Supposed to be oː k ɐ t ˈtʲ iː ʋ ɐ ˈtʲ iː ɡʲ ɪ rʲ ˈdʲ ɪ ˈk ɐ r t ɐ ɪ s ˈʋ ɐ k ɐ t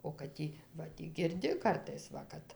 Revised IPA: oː k ɐ t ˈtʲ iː ʋ ɐ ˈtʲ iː ɡʲ ɪ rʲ ˈdʲ ɪ ˈk ɐ r t ɐ ɪ s ˈʋ ɐ k ɐ t

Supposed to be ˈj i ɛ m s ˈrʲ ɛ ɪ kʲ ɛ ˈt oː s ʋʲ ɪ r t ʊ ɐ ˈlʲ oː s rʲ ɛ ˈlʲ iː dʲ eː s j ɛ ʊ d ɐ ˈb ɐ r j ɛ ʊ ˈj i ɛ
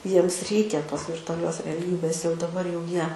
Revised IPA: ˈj i ɛ m s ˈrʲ ɛ ɪ kʲ ɛ ˈt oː s ʋʲ ɪ r t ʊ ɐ ˈlʲ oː s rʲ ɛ ˈlʲ iː bʲ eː s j ɛ ʊ d ɐ ˈb ɐ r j ɛ ʊ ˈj i ɛ

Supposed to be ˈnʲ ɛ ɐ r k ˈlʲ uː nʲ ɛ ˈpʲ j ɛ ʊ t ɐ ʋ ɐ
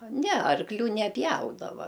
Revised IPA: ˈnʲ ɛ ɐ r k ˈlʲ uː nʲ ɛ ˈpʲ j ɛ ʊ d ɐ ʋ ɐ

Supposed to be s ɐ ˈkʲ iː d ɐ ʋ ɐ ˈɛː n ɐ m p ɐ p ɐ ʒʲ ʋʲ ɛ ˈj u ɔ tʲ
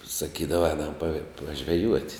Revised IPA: s ɐ ˈkʲ iː d ɐ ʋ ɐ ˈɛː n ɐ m p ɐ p ɐ ʒʲ ʋʲ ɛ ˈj u ɔ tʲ

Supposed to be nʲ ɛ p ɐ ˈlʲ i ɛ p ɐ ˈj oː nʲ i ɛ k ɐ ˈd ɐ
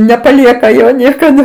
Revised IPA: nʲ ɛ p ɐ ˈlʲ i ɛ k ɐ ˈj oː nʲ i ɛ k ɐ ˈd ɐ

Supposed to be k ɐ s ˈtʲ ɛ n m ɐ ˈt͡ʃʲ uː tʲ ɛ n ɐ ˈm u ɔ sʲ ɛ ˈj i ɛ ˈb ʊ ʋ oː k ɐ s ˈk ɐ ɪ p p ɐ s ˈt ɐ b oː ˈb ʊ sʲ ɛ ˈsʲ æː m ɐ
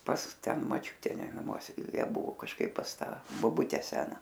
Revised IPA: p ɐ s ˈtʲ ɛ n m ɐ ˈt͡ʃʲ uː tʲ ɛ n ɐ ˈm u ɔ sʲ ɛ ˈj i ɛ ˈb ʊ ʋ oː k ɐ ʃ ˈk ɐ ɪ p p ɐ s ˈt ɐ b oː ˈb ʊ tʲ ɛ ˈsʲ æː n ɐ

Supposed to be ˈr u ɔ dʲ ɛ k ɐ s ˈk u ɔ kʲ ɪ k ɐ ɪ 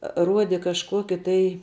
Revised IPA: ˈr u ɔ dʲ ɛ k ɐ ʃ ˈk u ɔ kʲ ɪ t ɐ ɪ

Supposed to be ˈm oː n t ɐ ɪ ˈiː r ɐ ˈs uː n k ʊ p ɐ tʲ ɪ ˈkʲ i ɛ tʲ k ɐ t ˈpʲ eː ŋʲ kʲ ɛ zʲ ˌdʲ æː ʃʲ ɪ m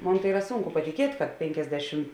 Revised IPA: ˈm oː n t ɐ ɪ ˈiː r ɐ ˈs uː ŋ k ʊ p ɐ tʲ ɪ ˈkʲ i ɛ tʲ k ɐ t ˈpʲ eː ŋʲ kʲ ɛ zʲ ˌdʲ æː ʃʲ ɪ m

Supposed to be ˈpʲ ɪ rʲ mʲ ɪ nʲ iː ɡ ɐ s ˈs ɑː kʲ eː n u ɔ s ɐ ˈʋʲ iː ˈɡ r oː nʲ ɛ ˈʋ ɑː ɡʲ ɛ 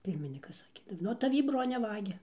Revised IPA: ˈpʲ ɪ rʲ mʲ ɪ nʲ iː k ɐ s ˈs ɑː kʲ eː n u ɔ t ɐ ˈʋʲ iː ˈb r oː nʲ ɛ ˈʋ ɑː ɡʲ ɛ

